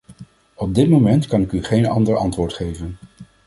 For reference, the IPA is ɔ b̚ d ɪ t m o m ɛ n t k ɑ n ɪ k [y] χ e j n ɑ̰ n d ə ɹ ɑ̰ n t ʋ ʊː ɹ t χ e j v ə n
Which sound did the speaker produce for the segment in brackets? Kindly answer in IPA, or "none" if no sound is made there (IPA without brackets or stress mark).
y